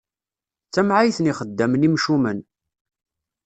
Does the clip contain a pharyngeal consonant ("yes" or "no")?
yes